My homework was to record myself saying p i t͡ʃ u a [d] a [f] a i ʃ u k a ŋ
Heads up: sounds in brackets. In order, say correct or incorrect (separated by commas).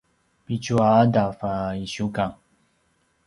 correct, correct